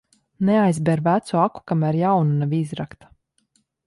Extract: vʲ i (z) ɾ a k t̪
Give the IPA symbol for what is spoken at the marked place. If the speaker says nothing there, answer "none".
z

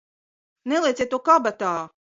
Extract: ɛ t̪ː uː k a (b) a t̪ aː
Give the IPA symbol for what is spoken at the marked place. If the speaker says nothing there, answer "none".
b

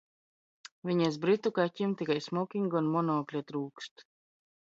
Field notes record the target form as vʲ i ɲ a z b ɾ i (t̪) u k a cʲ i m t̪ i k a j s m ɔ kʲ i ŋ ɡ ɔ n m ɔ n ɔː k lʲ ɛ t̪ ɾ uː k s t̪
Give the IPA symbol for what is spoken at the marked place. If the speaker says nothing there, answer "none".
t̪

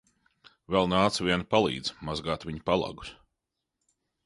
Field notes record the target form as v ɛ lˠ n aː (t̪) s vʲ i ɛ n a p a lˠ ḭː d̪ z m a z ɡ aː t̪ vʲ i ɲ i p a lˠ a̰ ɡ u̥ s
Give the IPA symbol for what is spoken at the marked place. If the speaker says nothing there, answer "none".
t̪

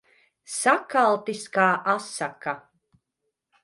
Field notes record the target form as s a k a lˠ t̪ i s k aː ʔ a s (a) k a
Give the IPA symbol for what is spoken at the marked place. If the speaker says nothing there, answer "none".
a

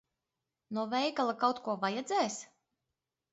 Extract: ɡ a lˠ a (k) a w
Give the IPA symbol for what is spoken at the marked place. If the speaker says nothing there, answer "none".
k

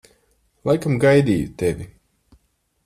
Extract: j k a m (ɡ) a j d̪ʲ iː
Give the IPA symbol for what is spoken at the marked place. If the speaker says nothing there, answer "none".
ɡ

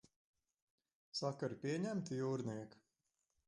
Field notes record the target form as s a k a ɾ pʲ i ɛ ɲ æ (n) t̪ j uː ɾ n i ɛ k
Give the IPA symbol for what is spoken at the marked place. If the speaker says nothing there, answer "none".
m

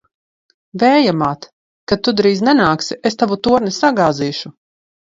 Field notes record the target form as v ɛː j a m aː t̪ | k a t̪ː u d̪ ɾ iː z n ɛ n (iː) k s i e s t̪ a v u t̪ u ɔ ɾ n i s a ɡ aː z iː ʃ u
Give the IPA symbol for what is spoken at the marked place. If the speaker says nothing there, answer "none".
aː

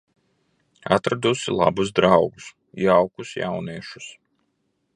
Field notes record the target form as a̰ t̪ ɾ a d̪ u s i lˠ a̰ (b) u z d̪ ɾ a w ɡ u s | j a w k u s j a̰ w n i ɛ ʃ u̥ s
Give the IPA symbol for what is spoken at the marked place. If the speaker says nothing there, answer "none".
b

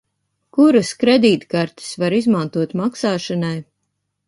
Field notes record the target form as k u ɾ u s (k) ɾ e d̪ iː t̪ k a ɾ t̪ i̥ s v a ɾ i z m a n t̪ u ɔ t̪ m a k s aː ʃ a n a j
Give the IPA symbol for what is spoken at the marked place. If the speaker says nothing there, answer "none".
k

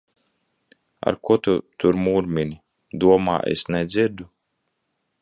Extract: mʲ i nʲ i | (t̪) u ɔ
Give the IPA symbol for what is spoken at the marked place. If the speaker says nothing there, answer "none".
d̪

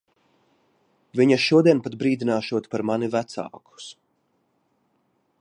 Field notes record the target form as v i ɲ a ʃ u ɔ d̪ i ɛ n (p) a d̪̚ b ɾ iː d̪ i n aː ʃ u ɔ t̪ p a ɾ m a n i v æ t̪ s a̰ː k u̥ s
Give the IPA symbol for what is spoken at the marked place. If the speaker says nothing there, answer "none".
p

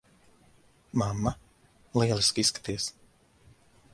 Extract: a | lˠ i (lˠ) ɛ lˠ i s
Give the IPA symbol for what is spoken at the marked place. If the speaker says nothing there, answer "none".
none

